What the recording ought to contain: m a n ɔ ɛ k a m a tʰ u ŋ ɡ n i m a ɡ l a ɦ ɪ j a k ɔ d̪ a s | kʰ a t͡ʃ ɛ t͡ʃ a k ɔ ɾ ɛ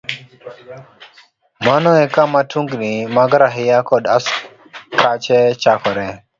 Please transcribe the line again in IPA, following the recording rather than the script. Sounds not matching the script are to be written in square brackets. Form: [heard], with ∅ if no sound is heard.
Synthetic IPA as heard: m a n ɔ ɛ k a m a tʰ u ŋ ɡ n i m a ɡ [ɾ] a ɦ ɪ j a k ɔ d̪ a s | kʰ a t͡ʃ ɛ t͡ʃ a k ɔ ɾ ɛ